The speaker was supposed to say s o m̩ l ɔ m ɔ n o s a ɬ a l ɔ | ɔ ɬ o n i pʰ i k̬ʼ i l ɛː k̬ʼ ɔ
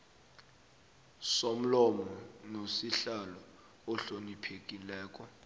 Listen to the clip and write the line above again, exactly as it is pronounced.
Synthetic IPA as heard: s o m̩ l ɔ m ɔ n o s i ɬ a l ɔ | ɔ ɬ o n i pʰ e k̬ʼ i l ɛː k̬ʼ ɔ